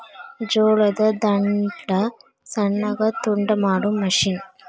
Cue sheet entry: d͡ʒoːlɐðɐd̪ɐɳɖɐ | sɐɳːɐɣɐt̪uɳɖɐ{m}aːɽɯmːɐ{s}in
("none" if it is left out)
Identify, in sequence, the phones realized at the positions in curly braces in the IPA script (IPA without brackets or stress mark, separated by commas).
m, ʂ